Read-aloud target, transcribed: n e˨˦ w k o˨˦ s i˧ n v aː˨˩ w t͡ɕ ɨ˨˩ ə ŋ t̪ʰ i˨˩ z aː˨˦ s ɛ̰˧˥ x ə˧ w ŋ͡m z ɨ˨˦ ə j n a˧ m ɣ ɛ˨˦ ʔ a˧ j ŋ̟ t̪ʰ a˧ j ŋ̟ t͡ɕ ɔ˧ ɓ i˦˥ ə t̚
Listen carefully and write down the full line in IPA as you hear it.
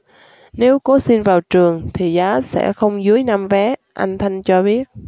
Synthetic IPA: n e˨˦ w k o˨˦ s i˧ n v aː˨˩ w t͡ɕ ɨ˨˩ ə ŋ t̪ʰ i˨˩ z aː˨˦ s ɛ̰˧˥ x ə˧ w ŋ͡m z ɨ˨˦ ə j n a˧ m v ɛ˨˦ ʔ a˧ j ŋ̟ t̪ʰ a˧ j ŋ̟ t͡ɕ ɔ˧ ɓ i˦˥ ə t̚